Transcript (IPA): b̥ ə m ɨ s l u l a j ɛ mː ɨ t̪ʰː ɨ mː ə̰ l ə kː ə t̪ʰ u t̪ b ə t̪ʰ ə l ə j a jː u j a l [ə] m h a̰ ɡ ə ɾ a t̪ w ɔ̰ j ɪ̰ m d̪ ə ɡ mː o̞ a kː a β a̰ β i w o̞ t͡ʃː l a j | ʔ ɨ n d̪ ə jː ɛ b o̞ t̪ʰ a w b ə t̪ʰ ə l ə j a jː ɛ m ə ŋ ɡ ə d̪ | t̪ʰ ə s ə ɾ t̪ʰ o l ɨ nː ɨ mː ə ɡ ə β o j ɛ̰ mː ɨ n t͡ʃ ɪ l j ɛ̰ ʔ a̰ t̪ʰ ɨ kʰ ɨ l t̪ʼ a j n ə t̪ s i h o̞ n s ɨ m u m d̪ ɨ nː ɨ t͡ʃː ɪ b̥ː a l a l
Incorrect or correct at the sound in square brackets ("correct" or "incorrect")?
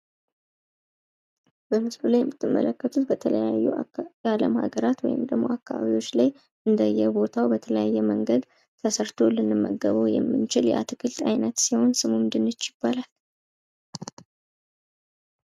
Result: correct